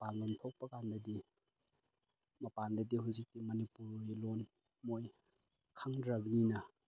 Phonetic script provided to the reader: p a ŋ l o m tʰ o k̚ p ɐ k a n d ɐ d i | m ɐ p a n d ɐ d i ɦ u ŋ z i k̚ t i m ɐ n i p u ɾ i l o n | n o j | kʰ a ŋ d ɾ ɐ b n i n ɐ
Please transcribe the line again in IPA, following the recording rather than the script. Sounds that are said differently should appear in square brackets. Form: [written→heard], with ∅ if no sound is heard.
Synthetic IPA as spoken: p a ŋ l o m tʰ o k̚ p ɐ k a n d ɐ d i | m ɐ p a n d ɐ d i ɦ u [ŋ→∅] z i k̚ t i m ɐ n i p u ɾ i l o n | [n→m] o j | kʰ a ŋ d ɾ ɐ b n i n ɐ